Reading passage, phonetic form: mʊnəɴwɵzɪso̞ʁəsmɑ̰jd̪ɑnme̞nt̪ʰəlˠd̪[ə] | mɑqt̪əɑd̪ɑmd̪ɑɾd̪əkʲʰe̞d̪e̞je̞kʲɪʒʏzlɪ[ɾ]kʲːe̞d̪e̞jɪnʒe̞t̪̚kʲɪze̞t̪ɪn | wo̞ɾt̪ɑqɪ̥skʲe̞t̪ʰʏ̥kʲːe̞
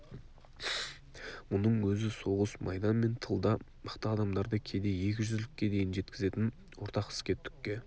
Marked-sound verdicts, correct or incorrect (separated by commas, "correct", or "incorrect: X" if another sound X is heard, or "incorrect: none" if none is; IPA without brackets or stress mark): incorrect: ɑ, incorrect: none